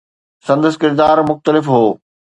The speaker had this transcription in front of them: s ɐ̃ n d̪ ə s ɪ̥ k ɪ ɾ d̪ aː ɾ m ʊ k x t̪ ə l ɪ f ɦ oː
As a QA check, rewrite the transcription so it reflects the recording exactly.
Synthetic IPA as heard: s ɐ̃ n d̪ ə s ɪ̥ k ɪ ɾ d̪ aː ɾ m ʊ x t̪ ə l ɪ f ɦ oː